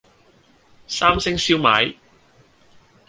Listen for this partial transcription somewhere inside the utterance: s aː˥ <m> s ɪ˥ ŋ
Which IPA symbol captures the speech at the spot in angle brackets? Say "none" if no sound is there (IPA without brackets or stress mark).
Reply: m